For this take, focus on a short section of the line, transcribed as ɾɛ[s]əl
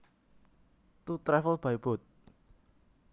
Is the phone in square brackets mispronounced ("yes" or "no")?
yes